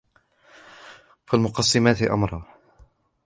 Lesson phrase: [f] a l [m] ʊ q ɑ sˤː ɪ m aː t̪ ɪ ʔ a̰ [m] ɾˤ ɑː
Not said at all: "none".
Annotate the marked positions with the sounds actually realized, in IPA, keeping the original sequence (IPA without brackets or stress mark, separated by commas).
f, m, m